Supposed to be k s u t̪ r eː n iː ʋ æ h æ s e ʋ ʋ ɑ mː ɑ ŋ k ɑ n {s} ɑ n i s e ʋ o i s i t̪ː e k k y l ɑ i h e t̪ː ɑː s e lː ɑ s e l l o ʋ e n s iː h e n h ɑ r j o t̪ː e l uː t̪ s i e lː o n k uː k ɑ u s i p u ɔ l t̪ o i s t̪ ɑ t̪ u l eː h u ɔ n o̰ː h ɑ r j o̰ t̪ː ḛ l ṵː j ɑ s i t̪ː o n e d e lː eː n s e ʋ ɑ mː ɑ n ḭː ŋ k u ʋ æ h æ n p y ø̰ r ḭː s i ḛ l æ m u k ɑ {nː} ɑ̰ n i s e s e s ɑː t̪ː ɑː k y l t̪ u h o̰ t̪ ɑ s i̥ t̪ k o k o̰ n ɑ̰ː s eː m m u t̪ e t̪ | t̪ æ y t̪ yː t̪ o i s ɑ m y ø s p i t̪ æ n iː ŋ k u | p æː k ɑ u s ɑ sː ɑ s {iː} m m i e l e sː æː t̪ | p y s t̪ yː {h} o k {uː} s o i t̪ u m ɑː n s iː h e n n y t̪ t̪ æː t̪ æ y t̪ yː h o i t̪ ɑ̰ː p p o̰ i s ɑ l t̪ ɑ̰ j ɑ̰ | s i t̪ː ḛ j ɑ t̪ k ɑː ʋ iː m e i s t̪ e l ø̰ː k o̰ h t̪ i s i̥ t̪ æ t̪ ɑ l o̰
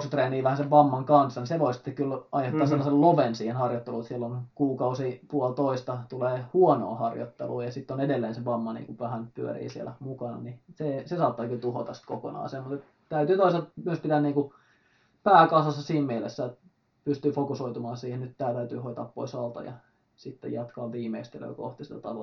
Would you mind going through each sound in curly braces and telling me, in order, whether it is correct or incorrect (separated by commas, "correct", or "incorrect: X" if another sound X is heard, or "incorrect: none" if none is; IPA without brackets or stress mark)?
incorrect: sː, incorrect: n, correct, incorrect: f, incorrect: u